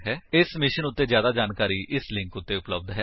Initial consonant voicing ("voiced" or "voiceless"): voiced